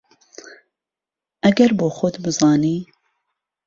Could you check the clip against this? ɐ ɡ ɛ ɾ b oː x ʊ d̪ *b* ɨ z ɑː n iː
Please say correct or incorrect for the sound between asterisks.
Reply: correct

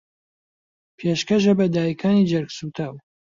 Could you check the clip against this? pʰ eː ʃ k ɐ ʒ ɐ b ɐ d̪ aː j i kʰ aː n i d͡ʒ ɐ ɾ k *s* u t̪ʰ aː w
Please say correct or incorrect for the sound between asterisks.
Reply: correct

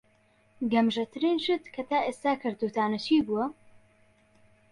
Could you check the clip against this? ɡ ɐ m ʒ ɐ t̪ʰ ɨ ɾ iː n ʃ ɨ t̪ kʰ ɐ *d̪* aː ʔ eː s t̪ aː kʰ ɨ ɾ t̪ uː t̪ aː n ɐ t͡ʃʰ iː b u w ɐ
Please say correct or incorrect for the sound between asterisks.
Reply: incorrect: t̪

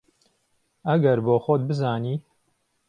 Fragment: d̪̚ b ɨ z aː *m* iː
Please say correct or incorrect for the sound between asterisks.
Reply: incorrect: n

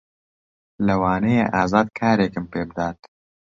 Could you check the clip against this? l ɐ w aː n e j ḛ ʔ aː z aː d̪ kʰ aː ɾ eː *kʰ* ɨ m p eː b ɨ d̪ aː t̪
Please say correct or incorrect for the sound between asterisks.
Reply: incorrect: k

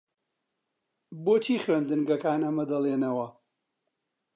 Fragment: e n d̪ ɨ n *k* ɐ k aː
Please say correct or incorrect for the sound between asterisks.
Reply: incorrect: ɡ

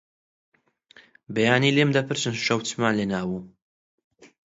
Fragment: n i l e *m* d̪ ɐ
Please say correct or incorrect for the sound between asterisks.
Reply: correct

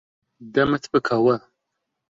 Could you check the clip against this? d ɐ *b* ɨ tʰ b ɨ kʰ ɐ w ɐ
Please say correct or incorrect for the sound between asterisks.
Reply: incorrect: m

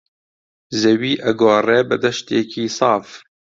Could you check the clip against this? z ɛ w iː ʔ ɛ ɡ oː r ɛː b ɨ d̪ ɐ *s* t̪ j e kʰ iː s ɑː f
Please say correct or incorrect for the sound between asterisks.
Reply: incorrect: ʃ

